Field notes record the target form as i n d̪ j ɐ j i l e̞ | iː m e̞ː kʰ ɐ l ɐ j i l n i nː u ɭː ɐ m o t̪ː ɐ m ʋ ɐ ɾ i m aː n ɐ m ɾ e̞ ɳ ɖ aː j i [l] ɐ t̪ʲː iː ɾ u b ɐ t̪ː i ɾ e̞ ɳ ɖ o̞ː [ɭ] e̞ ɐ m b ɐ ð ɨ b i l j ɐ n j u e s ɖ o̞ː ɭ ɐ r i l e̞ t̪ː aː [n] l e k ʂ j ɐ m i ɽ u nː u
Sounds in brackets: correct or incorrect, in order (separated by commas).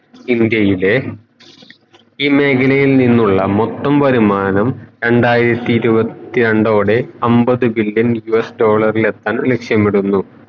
incorrect, incorrect, correct